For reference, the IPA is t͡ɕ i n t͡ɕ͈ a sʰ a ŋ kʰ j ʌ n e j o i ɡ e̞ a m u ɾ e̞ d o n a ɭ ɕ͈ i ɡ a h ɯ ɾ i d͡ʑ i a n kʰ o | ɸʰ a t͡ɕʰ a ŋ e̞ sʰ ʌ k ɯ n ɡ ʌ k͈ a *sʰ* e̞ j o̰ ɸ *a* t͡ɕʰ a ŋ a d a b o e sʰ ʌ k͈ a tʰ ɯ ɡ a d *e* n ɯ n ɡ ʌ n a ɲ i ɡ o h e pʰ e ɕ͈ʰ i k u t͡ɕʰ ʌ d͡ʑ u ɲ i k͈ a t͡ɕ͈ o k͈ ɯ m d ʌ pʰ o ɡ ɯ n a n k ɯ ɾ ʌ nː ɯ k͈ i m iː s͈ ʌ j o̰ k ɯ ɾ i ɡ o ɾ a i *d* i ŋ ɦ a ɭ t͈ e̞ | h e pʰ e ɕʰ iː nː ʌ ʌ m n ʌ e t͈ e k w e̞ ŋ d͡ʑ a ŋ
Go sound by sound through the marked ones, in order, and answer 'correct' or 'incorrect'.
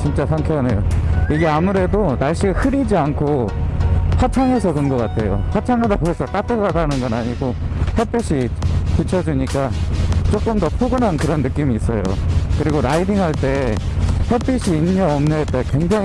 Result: incorrect, correct, incorrect, correct

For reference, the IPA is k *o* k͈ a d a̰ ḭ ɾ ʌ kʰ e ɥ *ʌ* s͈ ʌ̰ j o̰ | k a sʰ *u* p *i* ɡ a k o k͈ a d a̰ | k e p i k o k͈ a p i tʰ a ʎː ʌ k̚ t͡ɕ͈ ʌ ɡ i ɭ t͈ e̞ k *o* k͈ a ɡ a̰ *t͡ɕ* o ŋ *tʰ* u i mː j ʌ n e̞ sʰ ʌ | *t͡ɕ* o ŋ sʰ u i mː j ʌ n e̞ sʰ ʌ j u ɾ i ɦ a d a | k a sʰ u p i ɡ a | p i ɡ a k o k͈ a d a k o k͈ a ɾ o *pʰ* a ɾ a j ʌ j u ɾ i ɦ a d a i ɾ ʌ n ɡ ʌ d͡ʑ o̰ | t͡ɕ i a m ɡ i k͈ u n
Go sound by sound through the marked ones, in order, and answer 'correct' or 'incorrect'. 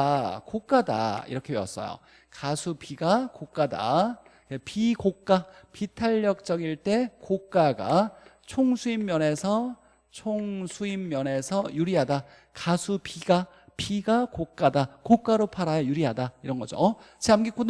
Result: correct, correct, correct, correct, correct, incorrect, incorrect, incorrect, correct

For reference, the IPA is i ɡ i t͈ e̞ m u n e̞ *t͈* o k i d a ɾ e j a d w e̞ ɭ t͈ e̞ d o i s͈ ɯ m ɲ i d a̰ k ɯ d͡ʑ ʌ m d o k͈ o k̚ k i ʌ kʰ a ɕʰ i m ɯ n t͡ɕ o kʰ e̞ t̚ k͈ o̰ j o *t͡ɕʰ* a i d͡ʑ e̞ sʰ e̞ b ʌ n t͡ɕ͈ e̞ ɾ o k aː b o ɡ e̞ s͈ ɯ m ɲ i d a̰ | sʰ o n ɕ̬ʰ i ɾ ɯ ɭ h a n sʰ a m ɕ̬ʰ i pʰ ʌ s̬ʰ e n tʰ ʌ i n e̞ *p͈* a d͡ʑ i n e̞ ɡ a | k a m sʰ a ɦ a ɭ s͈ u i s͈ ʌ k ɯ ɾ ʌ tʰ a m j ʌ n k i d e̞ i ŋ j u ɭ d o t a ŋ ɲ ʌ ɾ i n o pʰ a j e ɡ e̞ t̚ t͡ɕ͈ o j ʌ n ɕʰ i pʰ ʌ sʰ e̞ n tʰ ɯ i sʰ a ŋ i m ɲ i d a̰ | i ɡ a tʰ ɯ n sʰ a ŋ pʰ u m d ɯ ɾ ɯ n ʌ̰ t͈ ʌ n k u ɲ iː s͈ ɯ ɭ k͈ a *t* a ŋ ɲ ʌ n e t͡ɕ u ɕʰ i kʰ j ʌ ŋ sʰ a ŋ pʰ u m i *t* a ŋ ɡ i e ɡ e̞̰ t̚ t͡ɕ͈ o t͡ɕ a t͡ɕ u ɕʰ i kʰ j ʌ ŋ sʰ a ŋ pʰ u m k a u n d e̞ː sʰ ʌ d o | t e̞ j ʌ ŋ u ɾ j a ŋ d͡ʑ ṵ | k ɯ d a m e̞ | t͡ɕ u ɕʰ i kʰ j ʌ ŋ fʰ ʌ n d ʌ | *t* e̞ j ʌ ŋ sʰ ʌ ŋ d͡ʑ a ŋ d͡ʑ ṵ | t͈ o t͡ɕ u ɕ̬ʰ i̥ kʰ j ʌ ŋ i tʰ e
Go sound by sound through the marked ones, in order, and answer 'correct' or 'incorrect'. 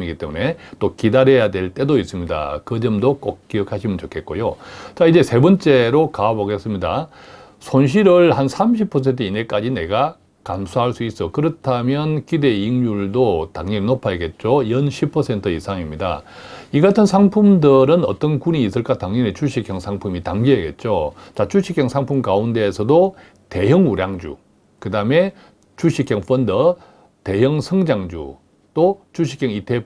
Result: correct, incorrect, incorrect, correct, correct, correct

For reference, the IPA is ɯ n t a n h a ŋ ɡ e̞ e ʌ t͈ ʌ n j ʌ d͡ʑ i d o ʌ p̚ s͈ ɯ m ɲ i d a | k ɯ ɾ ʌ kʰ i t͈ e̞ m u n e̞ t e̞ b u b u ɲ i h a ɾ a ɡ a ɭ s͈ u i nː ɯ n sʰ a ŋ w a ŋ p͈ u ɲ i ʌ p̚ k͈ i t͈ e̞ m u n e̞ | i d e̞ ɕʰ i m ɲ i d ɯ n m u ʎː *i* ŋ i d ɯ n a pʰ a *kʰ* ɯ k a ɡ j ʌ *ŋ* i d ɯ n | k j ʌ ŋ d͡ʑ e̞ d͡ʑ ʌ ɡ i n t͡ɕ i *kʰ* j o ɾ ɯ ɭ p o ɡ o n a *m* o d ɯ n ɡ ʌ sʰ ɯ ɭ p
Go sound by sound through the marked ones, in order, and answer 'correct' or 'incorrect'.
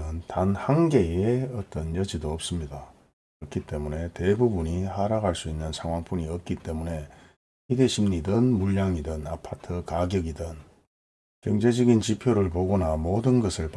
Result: incorrect, incorrect, incorrect, incorrect, correct

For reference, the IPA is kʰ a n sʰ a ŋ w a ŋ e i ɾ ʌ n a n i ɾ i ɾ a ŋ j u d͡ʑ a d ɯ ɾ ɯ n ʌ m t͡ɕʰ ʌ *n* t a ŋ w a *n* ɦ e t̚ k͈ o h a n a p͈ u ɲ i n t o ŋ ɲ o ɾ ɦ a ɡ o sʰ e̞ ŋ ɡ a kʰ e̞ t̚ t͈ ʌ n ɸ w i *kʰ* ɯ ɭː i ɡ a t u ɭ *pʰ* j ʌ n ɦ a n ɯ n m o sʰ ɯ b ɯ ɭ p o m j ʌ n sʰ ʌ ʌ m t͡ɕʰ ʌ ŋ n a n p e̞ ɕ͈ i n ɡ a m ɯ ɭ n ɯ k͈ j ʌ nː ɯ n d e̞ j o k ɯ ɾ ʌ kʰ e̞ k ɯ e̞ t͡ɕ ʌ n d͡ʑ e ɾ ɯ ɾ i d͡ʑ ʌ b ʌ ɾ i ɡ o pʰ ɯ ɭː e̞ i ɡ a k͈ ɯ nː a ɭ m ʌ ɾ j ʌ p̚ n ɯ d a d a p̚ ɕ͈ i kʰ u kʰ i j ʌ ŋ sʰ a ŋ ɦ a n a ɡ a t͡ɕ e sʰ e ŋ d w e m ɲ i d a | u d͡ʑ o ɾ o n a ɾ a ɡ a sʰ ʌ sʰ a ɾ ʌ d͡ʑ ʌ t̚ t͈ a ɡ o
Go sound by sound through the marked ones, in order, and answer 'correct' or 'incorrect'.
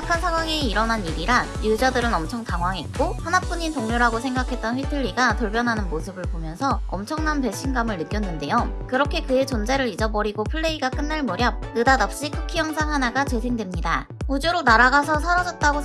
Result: incorrect, incorrect, incorrect, incorrect

